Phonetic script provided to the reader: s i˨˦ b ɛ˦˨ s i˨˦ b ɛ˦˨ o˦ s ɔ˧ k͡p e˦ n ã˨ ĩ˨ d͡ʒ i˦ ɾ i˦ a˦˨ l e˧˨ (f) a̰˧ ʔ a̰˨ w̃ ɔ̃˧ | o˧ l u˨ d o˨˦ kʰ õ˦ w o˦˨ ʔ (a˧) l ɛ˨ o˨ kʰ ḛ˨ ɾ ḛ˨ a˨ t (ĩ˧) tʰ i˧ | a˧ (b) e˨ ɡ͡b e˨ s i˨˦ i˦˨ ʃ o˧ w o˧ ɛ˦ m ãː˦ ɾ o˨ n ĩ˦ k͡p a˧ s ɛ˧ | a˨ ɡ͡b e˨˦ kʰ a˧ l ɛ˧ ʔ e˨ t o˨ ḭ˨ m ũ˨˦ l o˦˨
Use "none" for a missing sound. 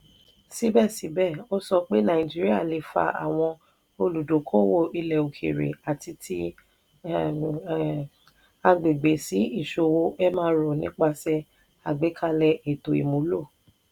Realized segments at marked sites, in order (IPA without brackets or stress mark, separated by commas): f, i˧, i˧, ɡ͡b